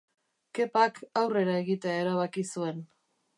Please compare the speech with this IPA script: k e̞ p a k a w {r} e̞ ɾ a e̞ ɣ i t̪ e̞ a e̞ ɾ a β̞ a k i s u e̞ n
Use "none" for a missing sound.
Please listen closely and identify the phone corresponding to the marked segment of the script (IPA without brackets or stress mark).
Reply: r